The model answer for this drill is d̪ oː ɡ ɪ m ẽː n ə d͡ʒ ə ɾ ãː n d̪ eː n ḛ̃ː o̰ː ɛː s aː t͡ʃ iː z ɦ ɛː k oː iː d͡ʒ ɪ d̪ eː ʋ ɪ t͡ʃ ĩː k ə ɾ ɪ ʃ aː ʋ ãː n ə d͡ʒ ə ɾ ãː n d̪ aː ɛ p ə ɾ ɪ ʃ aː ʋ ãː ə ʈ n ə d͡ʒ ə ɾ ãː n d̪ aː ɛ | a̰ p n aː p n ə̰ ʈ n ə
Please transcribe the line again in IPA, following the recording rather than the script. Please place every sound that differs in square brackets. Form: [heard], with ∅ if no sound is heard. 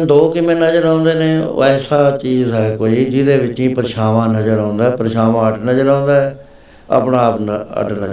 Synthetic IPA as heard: d̪ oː [k] ɪ m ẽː n ə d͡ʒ ə ɾ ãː n d̪ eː n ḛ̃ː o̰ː ɛː s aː t͡ʃ iː z ɦ ɛː k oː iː d͡ʒ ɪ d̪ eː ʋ ɪ t͡ʃ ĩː [p] ə ɾ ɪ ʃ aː ʋ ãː n ə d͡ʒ ə ɾ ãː n d̪ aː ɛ p ə ɾ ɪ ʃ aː ʋ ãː ə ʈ n ə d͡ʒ ə ɾ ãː n d̪ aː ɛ | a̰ p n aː p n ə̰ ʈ n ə